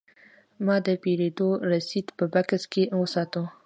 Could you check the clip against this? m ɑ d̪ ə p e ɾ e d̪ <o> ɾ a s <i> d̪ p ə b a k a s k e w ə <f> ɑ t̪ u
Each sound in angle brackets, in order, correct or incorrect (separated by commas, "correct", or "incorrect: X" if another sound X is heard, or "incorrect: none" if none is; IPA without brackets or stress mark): correct, correct, incorrect: s